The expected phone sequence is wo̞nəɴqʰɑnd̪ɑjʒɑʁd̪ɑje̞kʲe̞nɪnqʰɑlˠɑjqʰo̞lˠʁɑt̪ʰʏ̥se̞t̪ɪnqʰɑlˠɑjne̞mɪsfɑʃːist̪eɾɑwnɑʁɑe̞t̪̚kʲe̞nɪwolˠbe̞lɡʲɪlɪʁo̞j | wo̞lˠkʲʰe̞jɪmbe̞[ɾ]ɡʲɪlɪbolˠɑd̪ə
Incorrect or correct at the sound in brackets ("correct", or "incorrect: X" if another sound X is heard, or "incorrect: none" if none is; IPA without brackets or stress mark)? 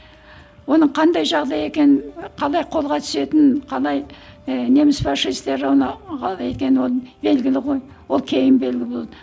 incorrect: l